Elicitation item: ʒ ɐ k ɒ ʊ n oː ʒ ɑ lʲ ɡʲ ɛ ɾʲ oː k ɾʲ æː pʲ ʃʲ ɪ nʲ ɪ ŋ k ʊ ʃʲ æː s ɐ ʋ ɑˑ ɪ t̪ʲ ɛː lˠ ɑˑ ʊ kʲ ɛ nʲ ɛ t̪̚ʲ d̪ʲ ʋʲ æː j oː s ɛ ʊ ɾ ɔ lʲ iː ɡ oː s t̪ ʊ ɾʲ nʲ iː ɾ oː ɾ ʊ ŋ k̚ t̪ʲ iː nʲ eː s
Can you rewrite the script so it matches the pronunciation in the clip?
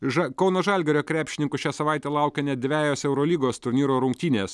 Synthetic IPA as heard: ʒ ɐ k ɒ ʊ n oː ʒ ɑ lʲ ɡʲ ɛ ɾʲ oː k ɾʲ æː pʲ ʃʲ ɪ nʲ ɪ ŋ k ʊ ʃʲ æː s ɐ ʋ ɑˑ ɪ t̪ʲ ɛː lˠ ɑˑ ʊ kʲ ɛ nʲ ɛ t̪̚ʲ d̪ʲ ʋʲ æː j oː s ɛ ʊ ɾ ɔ lʲ iː ɡ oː s t̪ ʊ ɾʲ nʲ iː ɾ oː ɾ ʊ ŋ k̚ t̪ʲ iː nʲ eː s